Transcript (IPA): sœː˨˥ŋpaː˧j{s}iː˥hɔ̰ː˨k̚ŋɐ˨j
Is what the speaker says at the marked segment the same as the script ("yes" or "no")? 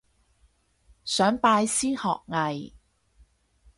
yes